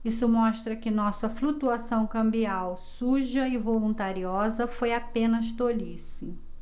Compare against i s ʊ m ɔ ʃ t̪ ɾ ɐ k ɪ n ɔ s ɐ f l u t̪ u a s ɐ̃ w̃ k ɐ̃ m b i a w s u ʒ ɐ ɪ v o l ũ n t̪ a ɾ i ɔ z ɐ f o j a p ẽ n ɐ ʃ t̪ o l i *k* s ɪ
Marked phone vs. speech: incorrect: none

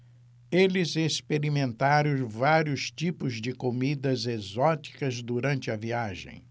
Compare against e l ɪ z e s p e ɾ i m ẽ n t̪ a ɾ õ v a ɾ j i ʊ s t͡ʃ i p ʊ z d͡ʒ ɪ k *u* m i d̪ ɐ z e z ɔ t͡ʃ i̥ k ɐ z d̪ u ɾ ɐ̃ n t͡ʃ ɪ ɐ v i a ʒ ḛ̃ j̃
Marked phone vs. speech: incorrect: o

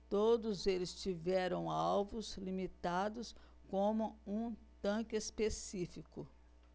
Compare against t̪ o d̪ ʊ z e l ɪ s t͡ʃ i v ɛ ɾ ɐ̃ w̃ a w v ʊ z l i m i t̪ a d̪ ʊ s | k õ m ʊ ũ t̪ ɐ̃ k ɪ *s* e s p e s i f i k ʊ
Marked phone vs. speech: incorrect: none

